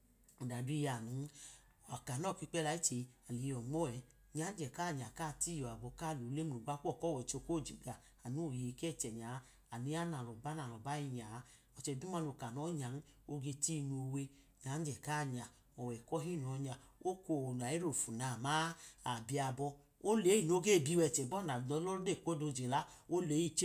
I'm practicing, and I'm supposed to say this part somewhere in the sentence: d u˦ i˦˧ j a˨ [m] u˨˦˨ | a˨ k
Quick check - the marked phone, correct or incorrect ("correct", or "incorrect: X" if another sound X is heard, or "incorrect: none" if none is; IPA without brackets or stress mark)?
incorrect: n